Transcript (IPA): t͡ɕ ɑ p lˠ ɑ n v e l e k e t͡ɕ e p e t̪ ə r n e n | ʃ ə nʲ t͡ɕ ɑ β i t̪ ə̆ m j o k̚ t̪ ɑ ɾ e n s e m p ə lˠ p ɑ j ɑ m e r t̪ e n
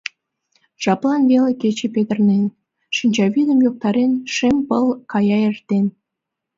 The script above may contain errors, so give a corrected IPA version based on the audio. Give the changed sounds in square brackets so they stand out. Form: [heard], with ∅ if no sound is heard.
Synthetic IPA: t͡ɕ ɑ p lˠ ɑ n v e l e k e t͡ɕ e p e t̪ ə r n e n | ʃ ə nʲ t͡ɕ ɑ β i [d̪] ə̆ m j o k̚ t̪ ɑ ɾ e n [ʃ] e m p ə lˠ [k] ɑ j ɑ [∅] e r t̪ e n